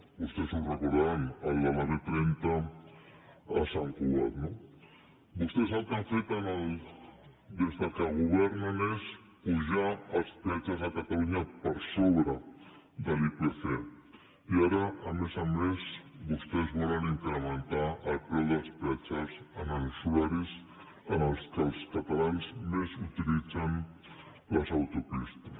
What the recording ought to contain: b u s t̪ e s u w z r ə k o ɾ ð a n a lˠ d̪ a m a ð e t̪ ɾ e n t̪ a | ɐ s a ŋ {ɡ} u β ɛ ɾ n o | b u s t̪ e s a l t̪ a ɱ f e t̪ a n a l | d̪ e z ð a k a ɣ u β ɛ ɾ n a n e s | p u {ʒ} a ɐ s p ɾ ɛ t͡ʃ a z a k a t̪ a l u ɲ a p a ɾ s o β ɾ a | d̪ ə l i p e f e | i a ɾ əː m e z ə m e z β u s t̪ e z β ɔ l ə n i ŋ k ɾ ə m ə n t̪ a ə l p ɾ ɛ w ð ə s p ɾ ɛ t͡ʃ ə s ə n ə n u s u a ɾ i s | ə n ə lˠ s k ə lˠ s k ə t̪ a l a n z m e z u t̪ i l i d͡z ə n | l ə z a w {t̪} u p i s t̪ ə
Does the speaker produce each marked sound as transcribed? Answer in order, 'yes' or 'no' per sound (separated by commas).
no, yes, yes